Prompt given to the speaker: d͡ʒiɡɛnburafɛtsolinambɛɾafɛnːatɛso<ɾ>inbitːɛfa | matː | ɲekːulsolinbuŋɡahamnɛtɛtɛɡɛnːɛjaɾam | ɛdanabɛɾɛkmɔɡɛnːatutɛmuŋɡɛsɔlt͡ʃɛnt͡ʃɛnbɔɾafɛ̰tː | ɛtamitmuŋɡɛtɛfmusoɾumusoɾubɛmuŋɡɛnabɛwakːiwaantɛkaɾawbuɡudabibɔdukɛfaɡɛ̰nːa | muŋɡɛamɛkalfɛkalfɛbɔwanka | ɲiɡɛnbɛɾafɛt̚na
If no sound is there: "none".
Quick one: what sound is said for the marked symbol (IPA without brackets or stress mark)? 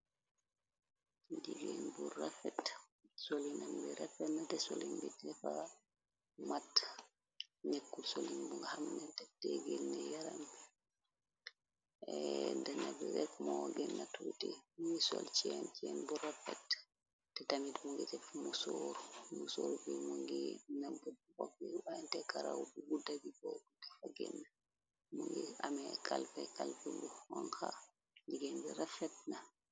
l